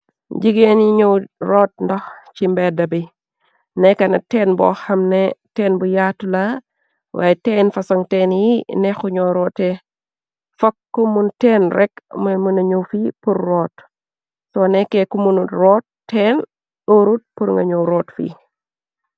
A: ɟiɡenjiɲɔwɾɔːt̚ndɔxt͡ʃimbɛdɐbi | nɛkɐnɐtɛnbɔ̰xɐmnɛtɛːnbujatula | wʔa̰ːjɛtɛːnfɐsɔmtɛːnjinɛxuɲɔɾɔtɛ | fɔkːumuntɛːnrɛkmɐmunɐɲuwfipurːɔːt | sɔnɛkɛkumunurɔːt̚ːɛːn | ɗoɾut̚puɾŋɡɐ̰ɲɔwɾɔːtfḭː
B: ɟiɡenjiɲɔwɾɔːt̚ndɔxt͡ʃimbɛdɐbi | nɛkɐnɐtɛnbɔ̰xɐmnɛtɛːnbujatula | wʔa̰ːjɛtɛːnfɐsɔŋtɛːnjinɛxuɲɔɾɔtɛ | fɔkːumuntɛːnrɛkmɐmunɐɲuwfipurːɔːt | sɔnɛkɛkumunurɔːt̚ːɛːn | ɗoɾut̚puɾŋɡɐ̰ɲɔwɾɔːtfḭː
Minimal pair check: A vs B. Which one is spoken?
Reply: B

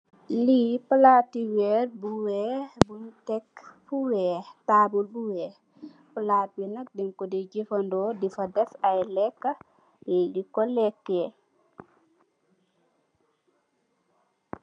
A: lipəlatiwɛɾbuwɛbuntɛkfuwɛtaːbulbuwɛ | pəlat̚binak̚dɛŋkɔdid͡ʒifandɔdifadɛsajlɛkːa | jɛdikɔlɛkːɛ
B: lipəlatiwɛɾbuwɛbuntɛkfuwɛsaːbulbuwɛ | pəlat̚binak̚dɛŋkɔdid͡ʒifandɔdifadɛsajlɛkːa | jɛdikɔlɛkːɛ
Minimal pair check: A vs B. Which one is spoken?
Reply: A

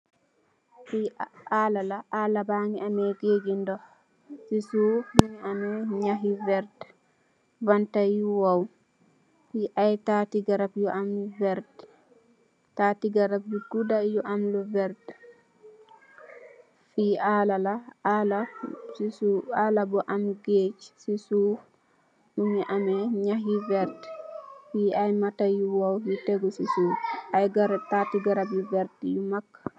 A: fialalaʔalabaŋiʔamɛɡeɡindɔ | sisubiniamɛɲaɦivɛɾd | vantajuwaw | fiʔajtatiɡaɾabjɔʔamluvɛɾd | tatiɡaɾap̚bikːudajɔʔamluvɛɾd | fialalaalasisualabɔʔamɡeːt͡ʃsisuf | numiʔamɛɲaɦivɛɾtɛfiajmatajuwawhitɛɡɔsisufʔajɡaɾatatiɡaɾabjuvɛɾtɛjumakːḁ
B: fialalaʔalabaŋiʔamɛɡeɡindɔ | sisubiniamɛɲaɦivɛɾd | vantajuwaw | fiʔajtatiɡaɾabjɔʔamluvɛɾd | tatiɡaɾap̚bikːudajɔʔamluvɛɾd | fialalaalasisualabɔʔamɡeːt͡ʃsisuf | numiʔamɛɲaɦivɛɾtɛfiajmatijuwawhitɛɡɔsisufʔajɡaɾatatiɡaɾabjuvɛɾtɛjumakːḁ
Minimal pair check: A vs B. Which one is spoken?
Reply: A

